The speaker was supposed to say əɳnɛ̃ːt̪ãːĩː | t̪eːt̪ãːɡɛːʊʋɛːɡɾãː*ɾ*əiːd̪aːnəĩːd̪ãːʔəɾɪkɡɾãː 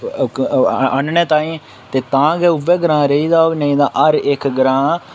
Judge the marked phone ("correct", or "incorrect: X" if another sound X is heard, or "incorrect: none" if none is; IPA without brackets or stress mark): correct